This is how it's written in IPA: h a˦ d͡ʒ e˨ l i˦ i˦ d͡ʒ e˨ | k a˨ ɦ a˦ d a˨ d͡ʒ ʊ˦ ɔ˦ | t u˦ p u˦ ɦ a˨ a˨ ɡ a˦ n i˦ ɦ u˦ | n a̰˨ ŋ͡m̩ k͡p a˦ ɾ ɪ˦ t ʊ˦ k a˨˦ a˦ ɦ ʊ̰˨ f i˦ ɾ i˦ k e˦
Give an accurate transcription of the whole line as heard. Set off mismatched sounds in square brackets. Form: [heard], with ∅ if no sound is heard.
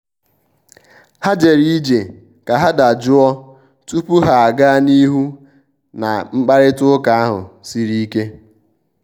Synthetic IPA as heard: h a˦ d͡ʒ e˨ [ɾ] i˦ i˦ d͡ʒ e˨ | k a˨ ɦ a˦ d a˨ d͡ʒ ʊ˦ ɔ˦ | t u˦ p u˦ ɦ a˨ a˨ ɡ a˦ n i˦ ɦ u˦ | n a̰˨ ŋ͡m̩ k͡p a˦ ɾ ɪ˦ t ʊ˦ k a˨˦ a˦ ɦ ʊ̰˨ [s] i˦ ɾ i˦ k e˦